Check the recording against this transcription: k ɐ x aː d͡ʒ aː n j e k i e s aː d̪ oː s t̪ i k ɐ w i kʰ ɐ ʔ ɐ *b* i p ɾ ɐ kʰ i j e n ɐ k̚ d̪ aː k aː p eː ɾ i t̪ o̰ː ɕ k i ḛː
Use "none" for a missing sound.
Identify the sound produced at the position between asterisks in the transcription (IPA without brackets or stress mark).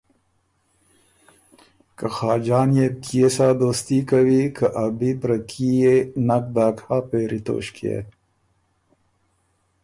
b